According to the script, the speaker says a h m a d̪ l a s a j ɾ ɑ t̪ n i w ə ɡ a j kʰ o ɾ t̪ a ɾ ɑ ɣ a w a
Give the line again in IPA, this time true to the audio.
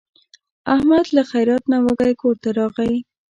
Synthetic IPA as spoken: a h m a d̪ l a x a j ɾ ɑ t̪ n a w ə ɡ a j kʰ o ɾ t̪ a ɾ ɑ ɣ a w i